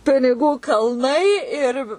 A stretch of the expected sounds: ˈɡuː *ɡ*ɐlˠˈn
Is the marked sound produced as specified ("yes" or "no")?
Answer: no